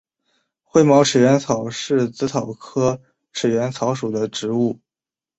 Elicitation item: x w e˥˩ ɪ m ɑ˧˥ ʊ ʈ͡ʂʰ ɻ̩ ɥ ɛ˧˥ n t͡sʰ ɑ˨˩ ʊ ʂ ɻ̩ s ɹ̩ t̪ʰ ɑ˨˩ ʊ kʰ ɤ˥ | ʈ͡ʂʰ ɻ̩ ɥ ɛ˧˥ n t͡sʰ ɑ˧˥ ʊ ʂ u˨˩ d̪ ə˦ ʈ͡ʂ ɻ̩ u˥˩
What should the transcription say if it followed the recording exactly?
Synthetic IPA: x w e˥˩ ɪ m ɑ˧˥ ʊ ʈ͡ʂʰ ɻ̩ ɥ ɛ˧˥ n t͡sʰ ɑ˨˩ ʊ ʂ ɻ̩ t͡s ɹ̩ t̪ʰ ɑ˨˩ ʊ kʰ ɤ˥ | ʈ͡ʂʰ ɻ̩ ɥ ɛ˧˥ n t͡sʰ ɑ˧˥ ʊ ʂ u˨˩ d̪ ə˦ ʈ͡ʂ ɻ̩ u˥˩